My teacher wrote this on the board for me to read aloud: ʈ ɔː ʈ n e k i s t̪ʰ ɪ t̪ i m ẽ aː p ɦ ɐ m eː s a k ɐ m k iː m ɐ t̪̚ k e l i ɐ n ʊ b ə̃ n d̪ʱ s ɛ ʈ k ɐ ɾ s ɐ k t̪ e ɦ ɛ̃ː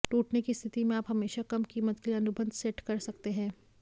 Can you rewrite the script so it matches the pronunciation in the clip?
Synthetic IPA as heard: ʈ uː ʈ n e k i s t̪ʰ ɪ t̪ i m ẽ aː p ɦ ɐ m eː ʃ a k ɐ m k iː m ə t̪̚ k e l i ɐ n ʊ b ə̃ n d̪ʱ s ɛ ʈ k ɐ ɾ s ɐ k t̪ e ɦ ɛ̃ː